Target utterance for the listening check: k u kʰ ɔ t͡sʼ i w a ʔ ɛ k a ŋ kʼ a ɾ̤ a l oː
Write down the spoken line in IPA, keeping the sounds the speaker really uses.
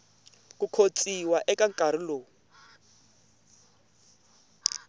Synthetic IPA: k u kʰ o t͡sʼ i w a ʔ ɛ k a ŋ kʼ a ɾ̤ i l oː